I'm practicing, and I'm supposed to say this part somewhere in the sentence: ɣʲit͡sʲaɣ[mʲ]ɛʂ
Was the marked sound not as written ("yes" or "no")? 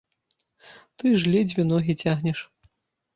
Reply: yes